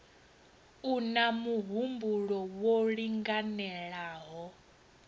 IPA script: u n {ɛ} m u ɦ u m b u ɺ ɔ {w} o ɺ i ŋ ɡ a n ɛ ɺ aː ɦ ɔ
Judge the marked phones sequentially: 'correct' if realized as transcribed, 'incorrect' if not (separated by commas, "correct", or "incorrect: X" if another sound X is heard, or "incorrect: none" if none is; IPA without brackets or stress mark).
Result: incorrect: a, correct